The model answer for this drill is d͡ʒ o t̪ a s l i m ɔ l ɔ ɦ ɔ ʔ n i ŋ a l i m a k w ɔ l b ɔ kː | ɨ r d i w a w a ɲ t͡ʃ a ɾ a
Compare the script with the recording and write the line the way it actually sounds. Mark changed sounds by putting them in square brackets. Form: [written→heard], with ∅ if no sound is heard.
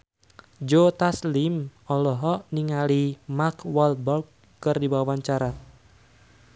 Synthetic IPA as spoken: d͡ʒ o t̪ a s l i m ɔ l ɔ ɦ ɔ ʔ n i ŋ a l i m a k w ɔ l b ɔ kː | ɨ r d i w a w a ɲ t͡ʃ a ɾ a